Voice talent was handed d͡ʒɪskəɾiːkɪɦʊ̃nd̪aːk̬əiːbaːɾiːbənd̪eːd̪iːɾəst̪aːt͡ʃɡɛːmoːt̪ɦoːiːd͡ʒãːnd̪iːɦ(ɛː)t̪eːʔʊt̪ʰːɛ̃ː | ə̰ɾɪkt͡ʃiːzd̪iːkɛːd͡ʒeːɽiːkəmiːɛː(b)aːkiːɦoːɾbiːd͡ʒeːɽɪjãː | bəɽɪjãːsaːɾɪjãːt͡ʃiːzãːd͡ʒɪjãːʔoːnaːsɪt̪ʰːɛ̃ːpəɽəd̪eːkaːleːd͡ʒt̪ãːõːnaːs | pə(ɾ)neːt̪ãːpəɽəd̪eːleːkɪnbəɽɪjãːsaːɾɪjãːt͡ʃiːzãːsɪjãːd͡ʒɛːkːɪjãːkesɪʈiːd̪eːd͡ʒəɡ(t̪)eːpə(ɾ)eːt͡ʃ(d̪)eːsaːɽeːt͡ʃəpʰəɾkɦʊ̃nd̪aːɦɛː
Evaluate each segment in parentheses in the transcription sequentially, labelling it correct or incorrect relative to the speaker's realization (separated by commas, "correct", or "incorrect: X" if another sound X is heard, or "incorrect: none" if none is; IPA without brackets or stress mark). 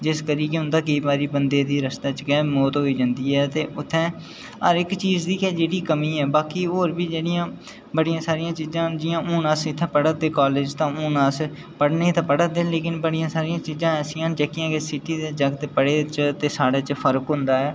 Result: correct, correct, incorrect: ɽ, correct, incorrect: ɽ, incorrect: t̪